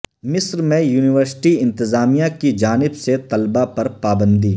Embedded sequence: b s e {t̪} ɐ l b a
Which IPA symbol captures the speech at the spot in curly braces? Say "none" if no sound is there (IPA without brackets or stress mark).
t̪